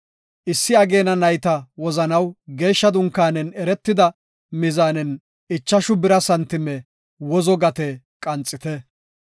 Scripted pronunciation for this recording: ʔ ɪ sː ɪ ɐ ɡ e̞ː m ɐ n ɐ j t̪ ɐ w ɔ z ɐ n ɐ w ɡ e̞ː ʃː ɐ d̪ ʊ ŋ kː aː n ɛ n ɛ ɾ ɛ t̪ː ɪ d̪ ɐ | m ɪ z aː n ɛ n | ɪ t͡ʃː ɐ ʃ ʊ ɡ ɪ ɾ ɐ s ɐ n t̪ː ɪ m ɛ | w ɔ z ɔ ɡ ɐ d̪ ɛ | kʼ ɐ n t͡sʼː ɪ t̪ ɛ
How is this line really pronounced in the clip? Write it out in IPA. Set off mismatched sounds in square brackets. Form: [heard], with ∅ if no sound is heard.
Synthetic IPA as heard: ʔ ɪ sː ɪ ɐ ɡ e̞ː [n] ɐ n ɐ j t̪ ɐ w ɔ z ɐ n ɐ w ɡ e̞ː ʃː ɐ d̪ ʊ ŋ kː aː n ɛ n ɛ ɾ ɛ t̪ː ɪ d̪ ɐ | m ɪ z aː n ɛ n | ɪ t͡ʃː ɐ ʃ ʊ [b] ɪ ɾ ɐ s ɐ n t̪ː ɪ m ɛ | w ɔ z ɔ ɡ ɐ [t̪] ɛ | kʼ ɐ n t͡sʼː ɪ t̪ ɛ